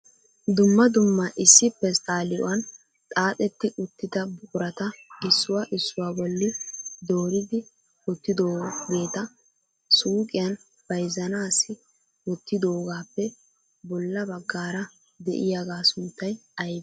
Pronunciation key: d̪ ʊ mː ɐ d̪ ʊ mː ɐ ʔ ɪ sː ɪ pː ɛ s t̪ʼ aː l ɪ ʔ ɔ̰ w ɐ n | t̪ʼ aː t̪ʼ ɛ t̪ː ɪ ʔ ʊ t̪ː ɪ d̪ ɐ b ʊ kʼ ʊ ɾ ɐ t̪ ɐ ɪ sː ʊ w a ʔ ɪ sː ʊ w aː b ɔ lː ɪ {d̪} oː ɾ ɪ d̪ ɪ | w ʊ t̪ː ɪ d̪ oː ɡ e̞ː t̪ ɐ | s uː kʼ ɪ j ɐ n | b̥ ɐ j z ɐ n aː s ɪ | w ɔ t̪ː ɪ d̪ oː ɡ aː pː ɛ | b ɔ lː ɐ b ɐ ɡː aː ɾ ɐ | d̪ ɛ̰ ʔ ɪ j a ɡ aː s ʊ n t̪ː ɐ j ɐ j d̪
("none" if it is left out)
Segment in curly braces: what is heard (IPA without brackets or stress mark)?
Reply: d̪